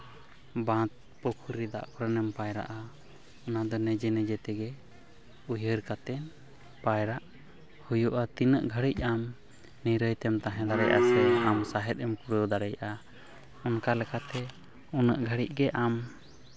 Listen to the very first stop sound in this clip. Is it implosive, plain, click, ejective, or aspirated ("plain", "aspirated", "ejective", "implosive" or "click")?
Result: plain